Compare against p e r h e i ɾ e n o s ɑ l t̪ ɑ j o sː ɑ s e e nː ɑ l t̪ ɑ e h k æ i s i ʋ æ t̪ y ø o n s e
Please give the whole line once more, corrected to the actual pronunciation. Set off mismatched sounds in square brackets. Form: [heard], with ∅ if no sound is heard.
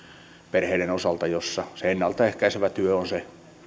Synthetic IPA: p e r h e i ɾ e n o s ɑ l t̪ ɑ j o sː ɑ s e e nː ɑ l t̪ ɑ e h k æ i s [e] ʋ æ t̪ y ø o n s e